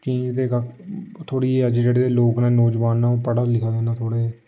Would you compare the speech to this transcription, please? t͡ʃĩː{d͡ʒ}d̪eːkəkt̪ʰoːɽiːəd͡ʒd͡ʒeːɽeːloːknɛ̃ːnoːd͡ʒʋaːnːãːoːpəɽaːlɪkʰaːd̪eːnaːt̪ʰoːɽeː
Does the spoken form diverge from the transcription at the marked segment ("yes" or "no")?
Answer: no